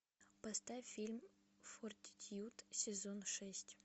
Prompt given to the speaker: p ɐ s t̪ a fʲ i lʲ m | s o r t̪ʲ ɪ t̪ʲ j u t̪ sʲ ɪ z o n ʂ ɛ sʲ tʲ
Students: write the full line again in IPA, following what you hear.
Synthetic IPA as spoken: p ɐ s t̪ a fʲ i lʲ m | f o r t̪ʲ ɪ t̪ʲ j u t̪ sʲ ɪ z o n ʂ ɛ sʲ tʲ